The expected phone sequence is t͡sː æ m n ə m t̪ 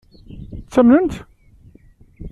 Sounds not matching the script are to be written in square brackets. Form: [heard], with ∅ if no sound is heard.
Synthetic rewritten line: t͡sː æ m n ə [n] t̪